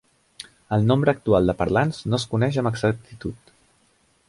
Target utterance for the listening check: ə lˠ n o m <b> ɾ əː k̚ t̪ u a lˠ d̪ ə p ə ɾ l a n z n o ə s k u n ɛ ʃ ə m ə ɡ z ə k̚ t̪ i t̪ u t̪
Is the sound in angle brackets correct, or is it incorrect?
correct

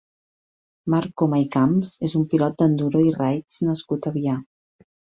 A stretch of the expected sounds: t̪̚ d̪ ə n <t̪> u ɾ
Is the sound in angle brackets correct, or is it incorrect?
incorrect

